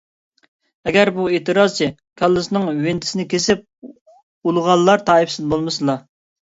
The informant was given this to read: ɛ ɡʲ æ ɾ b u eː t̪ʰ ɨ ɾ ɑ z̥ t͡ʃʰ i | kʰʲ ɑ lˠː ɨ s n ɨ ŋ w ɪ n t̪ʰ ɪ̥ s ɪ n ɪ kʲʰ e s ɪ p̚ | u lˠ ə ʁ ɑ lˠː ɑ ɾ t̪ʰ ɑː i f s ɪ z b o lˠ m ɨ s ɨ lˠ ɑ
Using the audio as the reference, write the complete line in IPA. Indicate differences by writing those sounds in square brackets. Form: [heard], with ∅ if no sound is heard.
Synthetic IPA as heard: ɛ ɡʲ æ ɾ b u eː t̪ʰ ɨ ɾ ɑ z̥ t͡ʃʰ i | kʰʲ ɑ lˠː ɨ s n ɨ ŋ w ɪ n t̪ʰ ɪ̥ s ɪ n ɪ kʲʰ e s ɪ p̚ | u lˠ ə ʁ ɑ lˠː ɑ ɾ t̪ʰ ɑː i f s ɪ z b o lˠ m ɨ s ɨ lˠ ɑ